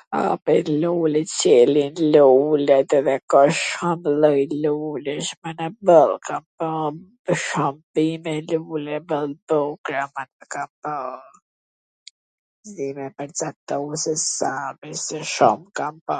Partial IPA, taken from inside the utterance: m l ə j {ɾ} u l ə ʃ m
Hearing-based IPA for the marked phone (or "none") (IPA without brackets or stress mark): l